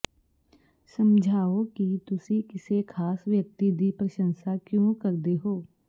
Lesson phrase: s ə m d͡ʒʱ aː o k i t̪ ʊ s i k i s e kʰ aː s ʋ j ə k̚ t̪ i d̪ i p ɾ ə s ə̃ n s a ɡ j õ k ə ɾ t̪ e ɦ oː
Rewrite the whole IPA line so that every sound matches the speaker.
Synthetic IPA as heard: s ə m d͡ʒʱ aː o k i t̪ ʊ s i k ɪ s e kʰ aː s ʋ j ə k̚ t̪ i d̪ i p ɾ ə ʃ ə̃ n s a k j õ k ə ɾ d̪ e ɦ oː

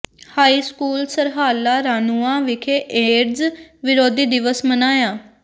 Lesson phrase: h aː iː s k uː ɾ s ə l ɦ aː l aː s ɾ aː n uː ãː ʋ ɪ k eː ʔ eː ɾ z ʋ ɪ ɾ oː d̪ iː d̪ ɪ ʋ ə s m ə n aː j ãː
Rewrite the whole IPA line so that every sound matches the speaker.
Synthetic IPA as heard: h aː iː s k uː l s ə ɾ ɦ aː l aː ɾ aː n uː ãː ʋ ɪ kʰ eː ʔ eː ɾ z ʋ ɪ ɾ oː d̪ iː d̪ ɪ ʋ ə s m ə n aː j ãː

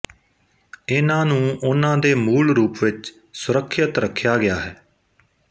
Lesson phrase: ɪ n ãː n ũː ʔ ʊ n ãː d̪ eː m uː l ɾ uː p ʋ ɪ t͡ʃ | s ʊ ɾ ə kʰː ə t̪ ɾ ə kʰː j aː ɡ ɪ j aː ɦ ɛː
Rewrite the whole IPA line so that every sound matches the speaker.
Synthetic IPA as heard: ɪ n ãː n ũː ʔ ʊ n ãː d̪ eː m uː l ɾ uː p ʋ ɪ t͡ʃ | s ʊ ɾ ə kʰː ə t̪ ɾ ə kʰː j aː ɡ ɪ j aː ɦ ɛː

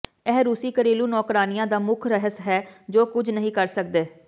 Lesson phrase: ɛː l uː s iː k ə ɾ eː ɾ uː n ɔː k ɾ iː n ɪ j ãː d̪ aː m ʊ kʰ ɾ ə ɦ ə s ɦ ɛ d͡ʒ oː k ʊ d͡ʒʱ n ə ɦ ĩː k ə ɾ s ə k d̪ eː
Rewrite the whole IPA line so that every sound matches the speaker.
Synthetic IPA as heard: ɛː ɾ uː s iː k ə ɾ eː l uː n ɔː k ɾ aː n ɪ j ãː d̪ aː m ʊ kʰ ɾ ə ɦ ə s ɦ ɛː d͡ʒ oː k ʊ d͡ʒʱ n ə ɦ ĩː k ə ɾ s ə k d̪ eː

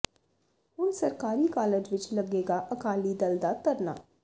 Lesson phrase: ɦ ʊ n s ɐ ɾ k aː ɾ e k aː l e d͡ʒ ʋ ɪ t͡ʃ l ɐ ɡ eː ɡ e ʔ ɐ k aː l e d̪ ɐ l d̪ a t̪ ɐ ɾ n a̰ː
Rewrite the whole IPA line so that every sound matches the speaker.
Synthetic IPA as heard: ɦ ʊ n s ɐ ɾ k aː ɾ i k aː l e d͡ʒ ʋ ɪ t͡ʃ l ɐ ɡ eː ɡ a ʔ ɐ k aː l i d̪ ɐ l d̪ a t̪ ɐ ɾ n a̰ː

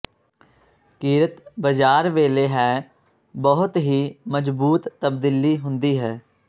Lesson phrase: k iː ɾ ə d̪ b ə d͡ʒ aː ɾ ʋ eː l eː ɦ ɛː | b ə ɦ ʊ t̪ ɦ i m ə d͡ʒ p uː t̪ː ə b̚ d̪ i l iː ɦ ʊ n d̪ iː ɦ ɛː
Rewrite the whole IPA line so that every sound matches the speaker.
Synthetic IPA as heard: k iː ɾ ə t̪ b ə d͡ʒ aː ɾ ʋ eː l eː ɦ ɛː | b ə ɦ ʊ t̪ ɦ iː m ə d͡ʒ b uː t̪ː ə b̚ d̪ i l iː ɦ ʊ n d̪ iː ɦ ɛː

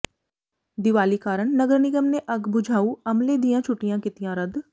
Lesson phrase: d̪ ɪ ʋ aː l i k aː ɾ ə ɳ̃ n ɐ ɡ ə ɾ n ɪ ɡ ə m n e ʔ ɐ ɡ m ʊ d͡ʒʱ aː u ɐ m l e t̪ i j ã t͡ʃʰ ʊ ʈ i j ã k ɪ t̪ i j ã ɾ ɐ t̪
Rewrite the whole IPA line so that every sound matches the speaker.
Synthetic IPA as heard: d̪ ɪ ʋ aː l i k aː ɾ ə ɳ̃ n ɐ ɡ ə ɾ n ɪ ɡ ə m n e ʔ ɐ ɡ b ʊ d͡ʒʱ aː u ɐ m l e d̪ i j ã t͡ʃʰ ʊ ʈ i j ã k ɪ t̪ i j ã ɾ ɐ d̪

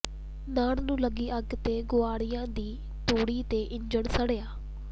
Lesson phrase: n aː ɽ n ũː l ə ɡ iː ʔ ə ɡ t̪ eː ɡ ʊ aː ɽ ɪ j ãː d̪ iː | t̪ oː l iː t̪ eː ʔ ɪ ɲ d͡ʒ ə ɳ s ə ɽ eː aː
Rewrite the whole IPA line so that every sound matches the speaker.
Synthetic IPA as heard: n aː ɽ n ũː l ə ɡ iː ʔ ə ɡ t̪ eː ɡ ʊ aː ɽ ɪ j ãː d̪ iː | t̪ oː ɽ iː t̪ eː ʔ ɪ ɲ d͡ʒ ə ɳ s ə ɽ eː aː

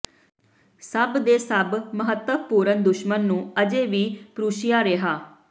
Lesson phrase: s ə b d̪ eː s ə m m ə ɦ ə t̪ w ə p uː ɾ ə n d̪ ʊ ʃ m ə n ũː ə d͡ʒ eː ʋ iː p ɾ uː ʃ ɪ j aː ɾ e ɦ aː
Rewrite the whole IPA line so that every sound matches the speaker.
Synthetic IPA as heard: s ə b d̪ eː s ə b m ə ɦ ə t̪ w ə p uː ɾ ə n d̪ ʊ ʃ m ə nː ũː ə d͡ʒ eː ʋ iː p ɾ uː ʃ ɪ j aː ɾ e ɦ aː

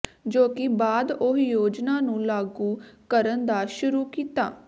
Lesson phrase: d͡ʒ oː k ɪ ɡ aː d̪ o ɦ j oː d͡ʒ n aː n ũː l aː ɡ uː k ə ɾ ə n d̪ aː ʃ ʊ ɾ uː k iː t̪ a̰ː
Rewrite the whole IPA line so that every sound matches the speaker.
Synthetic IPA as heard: d͡ʒ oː k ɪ b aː d̪ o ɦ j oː d͡ʒ n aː n ũː l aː ɡ uː k ə ɾ ə n d̪ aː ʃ ʊ ɾ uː k iː t̪ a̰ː

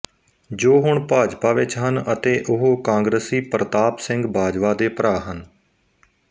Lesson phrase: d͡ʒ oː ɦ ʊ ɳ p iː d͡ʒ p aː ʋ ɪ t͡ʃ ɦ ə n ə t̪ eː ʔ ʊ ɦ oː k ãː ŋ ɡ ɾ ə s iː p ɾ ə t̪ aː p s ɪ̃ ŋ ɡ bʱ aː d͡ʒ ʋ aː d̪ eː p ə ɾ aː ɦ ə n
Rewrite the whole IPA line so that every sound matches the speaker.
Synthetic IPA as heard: d͡ʒ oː ɦ ʊ ɳ p aː d͡ʒ p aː ʋ ɪ t͡ʃ ɦ ə n ə t̪ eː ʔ ʊ ɦ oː k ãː ŋ ɡ ɾ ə s iː p ɾ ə t̪ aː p s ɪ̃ ŋ ɡ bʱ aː d͡ʒ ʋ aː d̪ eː p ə ɾ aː ɦ ə n

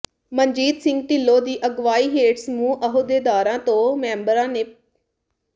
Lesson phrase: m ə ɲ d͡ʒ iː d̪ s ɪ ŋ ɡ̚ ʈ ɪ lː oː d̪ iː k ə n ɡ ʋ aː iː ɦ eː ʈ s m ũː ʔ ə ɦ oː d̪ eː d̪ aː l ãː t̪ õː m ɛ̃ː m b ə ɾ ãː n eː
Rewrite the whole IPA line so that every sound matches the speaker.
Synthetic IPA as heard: m ə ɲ d͡ʒ iː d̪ s ɪ ŋ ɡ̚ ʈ ɪ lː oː d̪ iː ʔ ə ɡ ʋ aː iː ɦ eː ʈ s m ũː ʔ ə ɦ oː d̪ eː d̪ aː ɾ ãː t̪ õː m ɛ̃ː m b ə ɾ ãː n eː

